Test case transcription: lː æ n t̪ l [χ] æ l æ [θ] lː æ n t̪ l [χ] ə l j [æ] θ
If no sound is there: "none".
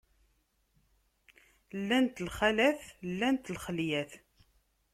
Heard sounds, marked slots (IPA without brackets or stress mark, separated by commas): χ, θ, χ, æ